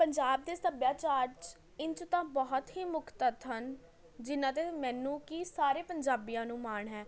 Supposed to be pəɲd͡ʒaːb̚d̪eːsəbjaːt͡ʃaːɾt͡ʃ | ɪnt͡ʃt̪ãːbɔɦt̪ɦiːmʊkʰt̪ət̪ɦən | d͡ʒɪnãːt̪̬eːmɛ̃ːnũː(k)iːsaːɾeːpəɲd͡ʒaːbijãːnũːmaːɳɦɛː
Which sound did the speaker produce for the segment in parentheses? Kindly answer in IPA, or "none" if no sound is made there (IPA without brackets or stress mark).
k